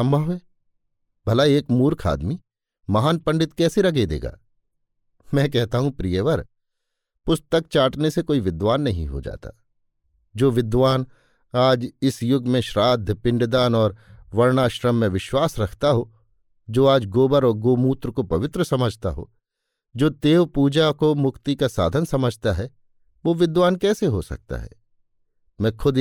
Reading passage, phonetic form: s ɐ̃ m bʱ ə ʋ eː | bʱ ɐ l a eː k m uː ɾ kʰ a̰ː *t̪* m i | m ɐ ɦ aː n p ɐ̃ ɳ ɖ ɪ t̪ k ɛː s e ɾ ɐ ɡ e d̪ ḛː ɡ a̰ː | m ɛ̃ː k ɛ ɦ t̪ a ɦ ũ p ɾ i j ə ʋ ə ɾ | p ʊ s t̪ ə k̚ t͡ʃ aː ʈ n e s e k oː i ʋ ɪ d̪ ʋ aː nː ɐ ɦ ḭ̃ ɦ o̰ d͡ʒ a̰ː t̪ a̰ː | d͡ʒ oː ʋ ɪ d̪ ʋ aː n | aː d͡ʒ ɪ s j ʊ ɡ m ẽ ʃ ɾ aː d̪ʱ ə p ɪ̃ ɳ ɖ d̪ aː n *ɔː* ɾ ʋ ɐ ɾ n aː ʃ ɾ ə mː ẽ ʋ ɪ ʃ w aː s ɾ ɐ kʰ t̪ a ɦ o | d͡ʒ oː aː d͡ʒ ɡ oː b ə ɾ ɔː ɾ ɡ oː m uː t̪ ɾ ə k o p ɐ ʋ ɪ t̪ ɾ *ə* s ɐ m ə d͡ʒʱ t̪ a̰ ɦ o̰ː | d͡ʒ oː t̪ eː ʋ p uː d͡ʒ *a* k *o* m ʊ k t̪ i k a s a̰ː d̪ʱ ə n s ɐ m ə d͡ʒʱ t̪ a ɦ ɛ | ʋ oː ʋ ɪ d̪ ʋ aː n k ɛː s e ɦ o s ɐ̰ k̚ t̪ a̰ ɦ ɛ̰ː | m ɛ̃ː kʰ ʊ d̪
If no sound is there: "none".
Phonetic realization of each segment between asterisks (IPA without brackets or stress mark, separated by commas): d̪, ɔː, ə, a, o